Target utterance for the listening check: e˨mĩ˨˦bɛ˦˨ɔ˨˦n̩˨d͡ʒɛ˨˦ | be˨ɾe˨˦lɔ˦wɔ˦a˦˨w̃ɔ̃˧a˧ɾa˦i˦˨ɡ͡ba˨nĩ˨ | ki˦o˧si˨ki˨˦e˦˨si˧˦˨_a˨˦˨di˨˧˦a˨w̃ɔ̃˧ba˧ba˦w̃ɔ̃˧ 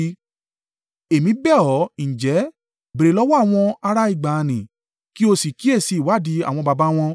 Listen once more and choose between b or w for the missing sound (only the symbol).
w